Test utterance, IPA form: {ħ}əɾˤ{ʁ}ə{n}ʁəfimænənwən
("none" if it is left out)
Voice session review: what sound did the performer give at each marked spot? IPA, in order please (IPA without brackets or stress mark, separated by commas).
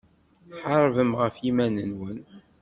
ħ, v, m